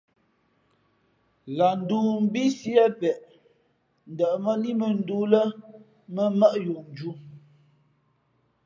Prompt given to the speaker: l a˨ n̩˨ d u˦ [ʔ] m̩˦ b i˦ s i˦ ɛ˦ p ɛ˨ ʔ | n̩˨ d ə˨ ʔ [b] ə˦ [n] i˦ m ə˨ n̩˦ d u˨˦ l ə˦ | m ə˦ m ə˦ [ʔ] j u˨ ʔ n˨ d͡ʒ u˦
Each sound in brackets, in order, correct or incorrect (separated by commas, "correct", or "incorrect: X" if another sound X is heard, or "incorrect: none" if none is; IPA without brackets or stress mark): incorrect: none, incorrect: m, correct, correct